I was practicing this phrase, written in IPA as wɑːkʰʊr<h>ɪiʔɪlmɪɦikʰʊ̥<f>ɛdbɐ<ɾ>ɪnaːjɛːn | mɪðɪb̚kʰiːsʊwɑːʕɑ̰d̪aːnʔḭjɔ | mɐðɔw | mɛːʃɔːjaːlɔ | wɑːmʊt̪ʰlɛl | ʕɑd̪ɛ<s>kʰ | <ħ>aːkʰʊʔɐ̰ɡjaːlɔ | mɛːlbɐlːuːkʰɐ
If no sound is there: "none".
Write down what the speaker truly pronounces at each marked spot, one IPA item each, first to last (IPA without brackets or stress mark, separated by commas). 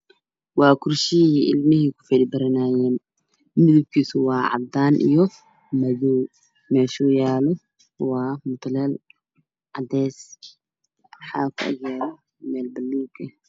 ʃ, f, ɾ, s, ħ